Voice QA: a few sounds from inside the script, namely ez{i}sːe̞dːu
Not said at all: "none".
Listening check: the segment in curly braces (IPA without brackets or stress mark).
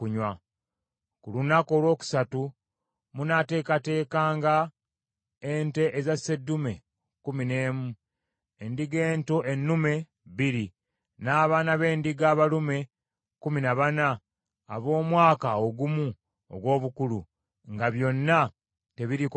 a